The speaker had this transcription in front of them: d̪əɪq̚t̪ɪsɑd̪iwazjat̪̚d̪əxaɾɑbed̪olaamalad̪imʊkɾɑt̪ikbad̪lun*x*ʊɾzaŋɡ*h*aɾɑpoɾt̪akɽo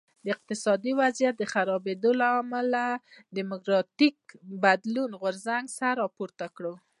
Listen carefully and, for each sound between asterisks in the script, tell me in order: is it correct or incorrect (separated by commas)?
incorrect, incorrect